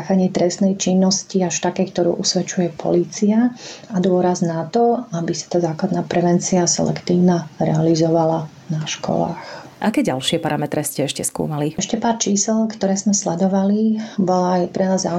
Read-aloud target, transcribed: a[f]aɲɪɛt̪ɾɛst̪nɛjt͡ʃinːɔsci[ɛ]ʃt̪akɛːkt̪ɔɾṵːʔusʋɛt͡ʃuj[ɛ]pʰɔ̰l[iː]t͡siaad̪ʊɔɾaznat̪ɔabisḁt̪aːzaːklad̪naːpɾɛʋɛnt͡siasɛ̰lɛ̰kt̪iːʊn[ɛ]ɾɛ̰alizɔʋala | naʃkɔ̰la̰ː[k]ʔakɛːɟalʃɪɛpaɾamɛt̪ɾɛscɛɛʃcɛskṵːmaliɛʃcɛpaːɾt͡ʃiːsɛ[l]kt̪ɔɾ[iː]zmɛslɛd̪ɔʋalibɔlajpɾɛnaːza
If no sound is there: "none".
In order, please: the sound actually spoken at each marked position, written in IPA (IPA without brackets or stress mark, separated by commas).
x, a, ɛ, iː, a, x, l, ɛː